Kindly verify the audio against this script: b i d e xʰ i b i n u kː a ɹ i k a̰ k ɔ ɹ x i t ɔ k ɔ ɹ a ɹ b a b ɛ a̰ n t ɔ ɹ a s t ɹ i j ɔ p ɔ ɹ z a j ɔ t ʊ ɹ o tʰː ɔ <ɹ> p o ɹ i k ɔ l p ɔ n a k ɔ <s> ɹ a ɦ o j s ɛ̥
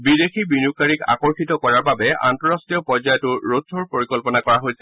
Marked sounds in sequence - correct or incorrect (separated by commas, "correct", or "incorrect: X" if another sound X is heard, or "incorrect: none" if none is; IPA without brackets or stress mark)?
correct, incorrect: none